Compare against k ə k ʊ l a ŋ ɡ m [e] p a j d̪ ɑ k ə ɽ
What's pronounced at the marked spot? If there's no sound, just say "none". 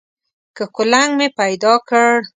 e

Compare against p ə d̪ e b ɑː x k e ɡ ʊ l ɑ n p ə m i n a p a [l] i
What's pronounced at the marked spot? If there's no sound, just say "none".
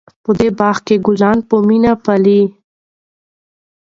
l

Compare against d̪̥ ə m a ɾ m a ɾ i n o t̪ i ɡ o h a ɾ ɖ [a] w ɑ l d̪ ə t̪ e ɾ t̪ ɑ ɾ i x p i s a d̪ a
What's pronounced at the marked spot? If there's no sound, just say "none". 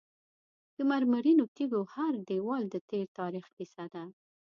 e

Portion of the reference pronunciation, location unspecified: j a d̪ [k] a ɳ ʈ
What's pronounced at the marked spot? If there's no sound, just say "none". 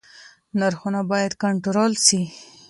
k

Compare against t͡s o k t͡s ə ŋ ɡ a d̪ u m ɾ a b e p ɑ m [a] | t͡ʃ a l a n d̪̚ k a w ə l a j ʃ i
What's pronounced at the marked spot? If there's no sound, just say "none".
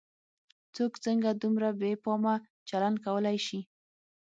a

